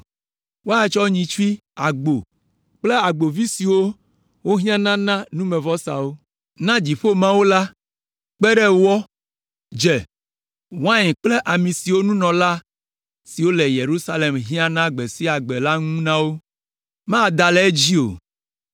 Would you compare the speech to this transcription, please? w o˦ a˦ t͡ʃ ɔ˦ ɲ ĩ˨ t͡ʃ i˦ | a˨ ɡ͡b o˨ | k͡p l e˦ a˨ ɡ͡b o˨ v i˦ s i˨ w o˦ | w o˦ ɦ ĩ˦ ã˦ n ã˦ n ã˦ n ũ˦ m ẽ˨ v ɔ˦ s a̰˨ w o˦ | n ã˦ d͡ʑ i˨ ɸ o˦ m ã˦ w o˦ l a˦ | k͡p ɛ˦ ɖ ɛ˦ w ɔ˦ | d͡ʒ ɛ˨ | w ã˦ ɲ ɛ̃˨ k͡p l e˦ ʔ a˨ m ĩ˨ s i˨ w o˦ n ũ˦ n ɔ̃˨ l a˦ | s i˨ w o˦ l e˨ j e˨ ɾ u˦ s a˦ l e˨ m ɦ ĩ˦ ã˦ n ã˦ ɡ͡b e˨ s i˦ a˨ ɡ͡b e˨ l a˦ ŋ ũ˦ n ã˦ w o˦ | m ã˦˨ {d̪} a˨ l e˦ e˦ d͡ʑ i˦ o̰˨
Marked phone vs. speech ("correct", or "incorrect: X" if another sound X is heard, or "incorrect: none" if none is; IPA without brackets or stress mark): correct